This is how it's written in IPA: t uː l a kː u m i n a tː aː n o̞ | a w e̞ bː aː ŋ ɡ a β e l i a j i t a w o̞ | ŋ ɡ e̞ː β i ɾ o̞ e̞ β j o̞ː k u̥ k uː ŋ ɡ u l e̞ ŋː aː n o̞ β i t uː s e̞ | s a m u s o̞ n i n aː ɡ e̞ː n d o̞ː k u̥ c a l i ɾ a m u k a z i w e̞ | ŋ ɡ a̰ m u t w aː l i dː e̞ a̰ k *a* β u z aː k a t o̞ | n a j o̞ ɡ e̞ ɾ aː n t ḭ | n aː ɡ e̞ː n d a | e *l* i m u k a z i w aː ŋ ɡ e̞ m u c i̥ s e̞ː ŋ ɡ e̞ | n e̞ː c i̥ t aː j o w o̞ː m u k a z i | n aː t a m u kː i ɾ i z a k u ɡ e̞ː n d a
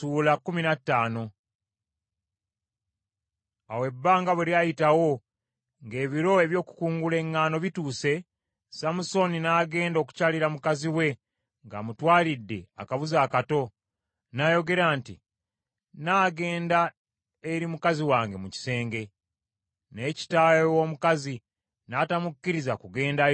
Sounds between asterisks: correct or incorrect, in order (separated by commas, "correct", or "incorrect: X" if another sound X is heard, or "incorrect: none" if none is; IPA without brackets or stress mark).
correct, incorrect: ɾ